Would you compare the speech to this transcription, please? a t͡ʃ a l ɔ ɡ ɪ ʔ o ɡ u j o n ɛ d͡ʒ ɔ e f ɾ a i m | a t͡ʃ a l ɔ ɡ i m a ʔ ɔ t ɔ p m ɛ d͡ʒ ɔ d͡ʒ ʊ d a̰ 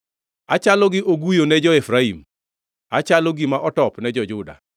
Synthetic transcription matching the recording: a t͡ʃ a l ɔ ɡ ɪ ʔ o ɡ u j o n ɛ d͡ʒ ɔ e f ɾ a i m | a t͡ʃ a l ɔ ɡ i m a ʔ ɔ t ɔ p n ɛ d͡ʒ ɔ d͡ʒ ʊ d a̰